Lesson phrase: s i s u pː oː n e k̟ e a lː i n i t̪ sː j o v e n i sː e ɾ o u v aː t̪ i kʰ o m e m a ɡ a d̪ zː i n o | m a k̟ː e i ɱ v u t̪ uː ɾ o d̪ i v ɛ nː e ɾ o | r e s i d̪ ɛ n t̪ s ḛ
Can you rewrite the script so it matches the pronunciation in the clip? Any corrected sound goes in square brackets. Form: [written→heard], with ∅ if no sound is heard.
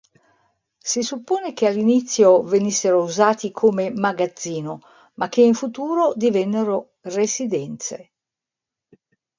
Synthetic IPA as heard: s i s u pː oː n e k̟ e a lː i n i t̪ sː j o v e n i sː e ɾ o u [v→z] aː t̪ i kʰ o m e m a ɡ a d̪ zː [i→iː] n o | m a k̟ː e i ɱ [v→f] u t̪ uː ɾ o d̪ i v ɛ nː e ɾ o | r e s i d̪ ɛ n t̪ s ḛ